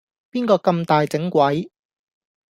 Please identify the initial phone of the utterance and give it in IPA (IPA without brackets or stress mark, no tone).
p